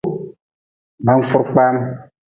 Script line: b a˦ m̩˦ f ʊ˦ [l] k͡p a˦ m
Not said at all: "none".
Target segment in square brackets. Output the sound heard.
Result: ɾ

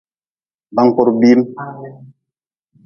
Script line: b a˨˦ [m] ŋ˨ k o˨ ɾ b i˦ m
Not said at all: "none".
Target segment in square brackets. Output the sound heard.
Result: none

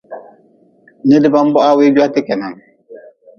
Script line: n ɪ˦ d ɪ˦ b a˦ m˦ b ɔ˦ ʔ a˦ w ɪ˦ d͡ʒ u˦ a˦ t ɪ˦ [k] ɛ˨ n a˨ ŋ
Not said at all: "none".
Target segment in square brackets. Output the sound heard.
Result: k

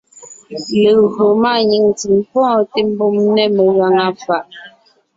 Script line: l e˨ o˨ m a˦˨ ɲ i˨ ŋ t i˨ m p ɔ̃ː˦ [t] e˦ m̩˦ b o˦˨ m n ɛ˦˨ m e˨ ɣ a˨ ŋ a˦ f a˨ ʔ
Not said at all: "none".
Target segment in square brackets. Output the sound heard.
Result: t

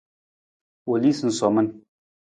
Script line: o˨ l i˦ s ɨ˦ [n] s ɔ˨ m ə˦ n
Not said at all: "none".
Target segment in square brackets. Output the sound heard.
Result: n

